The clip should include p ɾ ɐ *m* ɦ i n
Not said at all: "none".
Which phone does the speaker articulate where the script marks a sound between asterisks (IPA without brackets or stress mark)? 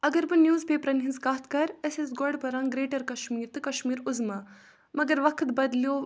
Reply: n